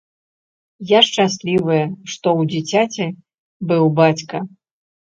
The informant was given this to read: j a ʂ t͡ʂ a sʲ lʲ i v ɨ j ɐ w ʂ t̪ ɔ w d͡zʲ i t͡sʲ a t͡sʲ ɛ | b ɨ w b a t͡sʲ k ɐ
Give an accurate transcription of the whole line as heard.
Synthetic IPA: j a ʂ t͡ʂ a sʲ lʲ i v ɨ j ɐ ʂ t̪ ɔ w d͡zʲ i t͡sʲ a t͡sʲ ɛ | b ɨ w b a t͡sʲ k ɐ